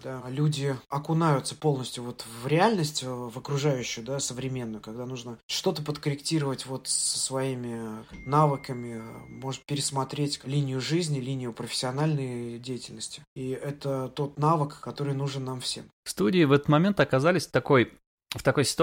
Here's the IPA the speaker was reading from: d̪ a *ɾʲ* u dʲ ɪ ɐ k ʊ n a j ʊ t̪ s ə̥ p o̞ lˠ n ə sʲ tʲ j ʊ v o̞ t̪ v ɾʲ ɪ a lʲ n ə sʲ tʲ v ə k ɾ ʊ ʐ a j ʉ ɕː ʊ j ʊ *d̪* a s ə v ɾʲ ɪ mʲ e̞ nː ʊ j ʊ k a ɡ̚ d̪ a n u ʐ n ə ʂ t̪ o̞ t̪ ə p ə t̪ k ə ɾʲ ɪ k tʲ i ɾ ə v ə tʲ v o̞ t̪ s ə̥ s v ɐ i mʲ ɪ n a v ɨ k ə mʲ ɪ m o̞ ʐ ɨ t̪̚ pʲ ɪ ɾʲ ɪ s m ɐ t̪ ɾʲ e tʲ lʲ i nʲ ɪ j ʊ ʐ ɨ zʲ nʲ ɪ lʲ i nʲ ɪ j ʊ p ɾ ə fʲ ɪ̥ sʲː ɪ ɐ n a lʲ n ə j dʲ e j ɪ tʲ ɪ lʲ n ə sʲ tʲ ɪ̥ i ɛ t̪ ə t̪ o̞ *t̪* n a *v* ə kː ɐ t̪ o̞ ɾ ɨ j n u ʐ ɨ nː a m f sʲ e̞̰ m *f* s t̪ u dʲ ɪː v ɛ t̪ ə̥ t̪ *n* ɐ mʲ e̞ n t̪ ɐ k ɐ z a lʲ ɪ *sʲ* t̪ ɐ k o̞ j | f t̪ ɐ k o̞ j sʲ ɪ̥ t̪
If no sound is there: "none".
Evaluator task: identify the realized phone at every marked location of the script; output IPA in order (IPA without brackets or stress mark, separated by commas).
lʲ, d̪, t̪, v, f, m, sʲ